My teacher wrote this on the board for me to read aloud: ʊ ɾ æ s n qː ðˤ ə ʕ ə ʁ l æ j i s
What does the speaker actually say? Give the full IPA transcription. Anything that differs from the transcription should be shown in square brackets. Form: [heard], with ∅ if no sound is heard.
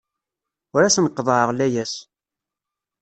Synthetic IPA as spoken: ʊ ɾ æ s n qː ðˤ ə ʕ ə ʁ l æ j [æ] s